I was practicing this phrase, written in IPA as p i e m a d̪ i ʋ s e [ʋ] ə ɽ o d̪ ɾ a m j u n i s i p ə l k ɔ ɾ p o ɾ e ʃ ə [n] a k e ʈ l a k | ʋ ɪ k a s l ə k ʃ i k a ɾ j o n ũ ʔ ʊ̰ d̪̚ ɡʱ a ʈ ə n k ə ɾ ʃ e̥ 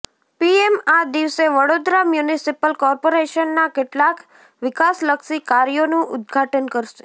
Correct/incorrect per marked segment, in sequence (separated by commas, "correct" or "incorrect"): correct, incorrect